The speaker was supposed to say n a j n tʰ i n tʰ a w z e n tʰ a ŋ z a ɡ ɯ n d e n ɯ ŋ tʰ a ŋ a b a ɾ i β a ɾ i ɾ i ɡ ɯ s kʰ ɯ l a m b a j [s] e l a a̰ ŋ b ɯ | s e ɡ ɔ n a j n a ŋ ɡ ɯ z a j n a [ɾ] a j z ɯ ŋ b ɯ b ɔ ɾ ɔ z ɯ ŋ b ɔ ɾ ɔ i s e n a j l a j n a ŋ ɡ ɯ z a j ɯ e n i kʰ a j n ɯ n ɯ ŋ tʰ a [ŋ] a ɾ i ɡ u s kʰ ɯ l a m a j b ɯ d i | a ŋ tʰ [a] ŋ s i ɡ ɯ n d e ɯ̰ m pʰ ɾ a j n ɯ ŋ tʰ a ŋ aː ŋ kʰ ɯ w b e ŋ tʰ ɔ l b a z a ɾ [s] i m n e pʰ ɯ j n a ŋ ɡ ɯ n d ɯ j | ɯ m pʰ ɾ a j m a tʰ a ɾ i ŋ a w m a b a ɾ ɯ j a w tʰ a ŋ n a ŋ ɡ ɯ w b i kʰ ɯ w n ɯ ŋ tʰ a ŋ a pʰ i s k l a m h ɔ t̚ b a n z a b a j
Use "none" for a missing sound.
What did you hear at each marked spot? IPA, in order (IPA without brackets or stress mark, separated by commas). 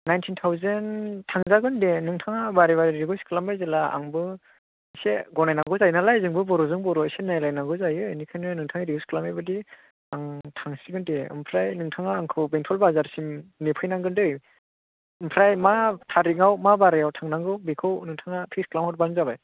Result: z, l, ŋ, a, s